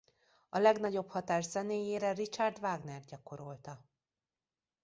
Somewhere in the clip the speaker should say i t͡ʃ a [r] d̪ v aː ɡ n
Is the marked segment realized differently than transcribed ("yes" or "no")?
no